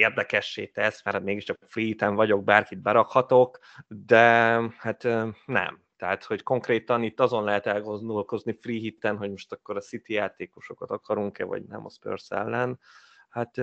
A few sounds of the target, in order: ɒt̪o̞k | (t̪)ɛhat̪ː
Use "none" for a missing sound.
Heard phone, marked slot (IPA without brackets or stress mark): d̪